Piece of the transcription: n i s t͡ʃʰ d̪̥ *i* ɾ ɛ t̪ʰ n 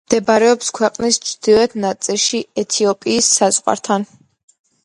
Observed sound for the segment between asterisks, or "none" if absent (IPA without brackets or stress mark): i